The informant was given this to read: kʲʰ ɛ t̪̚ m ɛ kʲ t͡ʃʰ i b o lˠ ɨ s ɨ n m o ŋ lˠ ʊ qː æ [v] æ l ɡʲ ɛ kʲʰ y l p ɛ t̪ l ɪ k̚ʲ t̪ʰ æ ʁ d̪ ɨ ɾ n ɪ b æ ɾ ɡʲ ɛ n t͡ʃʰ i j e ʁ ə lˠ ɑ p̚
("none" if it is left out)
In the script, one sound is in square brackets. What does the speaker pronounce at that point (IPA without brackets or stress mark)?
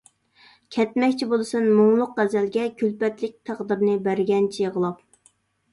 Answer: z